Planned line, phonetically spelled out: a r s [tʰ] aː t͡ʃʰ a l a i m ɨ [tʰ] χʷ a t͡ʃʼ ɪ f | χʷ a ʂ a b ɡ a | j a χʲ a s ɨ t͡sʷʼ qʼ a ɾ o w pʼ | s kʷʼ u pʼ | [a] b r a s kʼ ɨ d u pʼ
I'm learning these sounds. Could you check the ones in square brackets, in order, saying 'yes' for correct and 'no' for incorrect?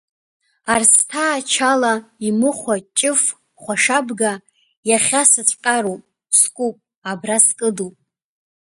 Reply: yes, no, yes

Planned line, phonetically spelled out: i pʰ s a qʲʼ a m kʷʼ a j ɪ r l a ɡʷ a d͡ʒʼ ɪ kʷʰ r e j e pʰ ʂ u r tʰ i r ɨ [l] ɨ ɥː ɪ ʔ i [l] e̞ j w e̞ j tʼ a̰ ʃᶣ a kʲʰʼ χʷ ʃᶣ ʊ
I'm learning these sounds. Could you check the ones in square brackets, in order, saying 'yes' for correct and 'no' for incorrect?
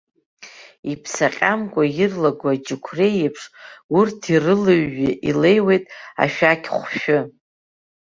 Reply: yes, yes

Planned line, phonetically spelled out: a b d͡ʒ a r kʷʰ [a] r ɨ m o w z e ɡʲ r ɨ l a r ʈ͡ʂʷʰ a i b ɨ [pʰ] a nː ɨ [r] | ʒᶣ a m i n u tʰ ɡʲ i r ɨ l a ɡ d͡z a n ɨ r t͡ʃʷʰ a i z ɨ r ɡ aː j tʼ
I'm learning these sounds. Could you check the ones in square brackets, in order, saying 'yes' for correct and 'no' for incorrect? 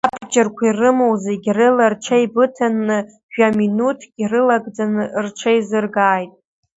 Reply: no, no, no

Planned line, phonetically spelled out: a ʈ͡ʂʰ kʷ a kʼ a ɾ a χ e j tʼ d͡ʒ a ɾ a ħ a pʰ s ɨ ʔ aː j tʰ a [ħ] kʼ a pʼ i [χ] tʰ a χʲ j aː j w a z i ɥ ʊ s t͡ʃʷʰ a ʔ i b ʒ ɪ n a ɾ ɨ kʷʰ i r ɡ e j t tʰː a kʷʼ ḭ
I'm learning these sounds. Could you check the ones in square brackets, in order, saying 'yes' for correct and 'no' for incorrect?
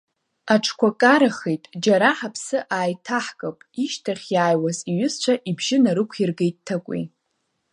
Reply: yes, no

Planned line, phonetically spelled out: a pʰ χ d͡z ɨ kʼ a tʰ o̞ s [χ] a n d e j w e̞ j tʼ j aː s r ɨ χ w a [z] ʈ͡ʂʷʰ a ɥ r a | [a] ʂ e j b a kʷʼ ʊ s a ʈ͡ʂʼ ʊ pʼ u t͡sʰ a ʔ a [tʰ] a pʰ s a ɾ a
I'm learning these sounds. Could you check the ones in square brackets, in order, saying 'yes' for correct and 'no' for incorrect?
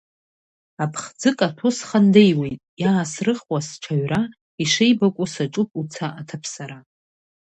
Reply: yes, no, no, yes

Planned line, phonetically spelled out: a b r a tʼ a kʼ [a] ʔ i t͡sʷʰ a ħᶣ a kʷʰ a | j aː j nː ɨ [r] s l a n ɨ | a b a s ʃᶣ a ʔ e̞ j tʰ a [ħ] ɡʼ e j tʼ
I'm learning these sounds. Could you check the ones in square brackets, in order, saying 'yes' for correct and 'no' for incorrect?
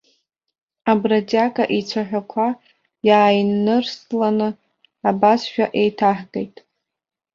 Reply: yes, yes, yes

